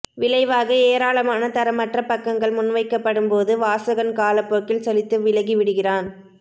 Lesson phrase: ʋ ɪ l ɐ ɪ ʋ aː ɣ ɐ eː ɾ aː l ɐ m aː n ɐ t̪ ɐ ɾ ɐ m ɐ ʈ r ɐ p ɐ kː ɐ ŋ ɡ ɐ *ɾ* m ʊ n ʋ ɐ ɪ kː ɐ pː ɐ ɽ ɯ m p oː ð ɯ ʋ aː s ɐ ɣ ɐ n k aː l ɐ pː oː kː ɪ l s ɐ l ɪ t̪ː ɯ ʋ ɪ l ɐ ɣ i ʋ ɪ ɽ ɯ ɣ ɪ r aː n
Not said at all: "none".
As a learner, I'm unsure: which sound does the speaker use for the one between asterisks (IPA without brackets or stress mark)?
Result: ɭ